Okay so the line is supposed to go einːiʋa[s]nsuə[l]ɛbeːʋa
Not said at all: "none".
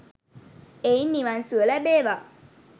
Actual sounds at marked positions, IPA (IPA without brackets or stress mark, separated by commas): none, l